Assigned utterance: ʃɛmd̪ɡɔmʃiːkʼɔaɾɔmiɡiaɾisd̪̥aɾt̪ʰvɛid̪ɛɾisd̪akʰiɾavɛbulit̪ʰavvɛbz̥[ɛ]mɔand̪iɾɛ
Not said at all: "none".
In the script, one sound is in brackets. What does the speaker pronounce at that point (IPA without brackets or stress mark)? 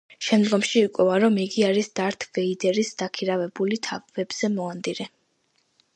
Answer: ɛ